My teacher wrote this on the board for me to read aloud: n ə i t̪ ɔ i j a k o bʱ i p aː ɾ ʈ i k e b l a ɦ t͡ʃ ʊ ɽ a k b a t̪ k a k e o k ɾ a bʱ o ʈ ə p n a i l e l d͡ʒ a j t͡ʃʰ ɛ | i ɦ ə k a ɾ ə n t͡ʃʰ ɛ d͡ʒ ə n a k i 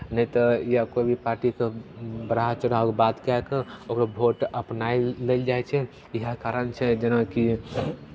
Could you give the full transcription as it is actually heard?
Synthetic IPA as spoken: n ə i t̪ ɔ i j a k o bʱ i p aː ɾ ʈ i k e b ɾ a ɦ t͡ʃ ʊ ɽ a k b a t̪ k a k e o k ɾ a bʱ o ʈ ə p n a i l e l d͡ʒ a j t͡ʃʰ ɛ | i ɦ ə k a ɾ ə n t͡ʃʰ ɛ d͡ʒ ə n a k i